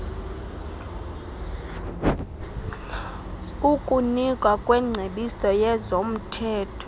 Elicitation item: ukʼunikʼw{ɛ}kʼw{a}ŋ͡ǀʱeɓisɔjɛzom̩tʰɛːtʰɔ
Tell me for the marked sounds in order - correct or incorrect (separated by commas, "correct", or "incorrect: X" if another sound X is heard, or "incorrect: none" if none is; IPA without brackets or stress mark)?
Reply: incorrect: a, incorrect: ɛ